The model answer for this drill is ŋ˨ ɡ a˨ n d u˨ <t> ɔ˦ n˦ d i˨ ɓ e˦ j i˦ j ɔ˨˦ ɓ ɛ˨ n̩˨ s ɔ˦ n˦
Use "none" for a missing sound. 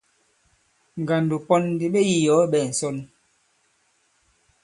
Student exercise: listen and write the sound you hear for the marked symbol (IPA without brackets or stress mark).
p